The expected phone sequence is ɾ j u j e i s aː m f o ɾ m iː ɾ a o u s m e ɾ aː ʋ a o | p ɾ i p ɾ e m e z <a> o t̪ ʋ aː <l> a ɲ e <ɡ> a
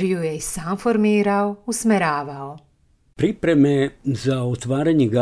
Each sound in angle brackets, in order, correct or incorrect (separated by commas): correct, incorrect, correct